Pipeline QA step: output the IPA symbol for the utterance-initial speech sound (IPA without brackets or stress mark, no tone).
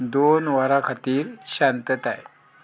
d̪